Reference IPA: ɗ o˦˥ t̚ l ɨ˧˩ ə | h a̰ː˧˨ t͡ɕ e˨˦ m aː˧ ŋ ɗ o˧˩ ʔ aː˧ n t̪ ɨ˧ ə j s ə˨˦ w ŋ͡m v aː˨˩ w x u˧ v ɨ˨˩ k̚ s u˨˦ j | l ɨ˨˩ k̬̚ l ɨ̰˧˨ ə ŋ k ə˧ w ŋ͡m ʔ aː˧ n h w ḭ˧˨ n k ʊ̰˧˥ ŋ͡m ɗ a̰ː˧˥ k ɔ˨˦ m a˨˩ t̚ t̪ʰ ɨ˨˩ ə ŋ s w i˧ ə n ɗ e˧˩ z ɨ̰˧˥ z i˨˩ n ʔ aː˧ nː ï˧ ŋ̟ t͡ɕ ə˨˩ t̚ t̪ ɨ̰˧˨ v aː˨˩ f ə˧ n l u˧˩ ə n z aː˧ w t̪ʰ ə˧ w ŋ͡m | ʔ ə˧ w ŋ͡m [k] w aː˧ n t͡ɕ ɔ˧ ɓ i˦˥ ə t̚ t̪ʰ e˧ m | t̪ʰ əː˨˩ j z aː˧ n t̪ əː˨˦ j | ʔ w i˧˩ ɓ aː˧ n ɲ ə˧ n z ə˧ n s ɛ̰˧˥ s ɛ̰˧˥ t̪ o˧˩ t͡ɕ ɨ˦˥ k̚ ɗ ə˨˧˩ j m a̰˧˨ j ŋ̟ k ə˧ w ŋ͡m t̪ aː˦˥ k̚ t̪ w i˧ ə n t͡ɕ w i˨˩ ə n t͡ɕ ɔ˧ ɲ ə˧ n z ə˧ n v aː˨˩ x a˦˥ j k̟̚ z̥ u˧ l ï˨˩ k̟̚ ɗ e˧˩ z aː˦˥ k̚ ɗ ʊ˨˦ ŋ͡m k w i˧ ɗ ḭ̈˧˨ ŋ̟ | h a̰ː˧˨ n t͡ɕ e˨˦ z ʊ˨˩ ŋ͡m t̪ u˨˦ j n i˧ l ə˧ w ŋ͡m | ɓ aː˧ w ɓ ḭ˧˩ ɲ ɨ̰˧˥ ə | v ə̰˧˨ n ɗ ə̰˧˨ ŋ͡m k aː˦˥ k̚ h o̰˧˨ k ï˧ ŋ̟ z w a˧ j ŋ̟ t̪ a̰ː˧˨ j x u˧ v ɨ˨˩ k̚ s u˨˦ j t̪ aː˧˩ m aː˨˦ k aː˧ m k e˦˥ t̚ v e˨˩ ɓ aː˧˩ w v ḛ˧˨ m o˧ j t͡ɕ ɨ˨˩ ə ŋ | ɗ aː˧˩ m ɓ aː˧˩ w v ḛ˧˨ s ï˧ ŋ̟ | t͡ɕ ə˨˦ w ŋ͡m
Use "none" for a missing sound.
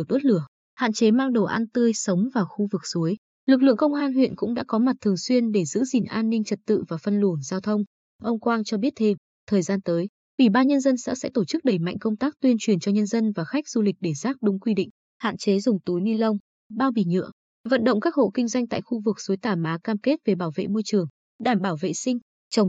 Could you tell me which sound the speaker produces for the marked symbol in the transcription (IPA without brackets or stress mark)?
k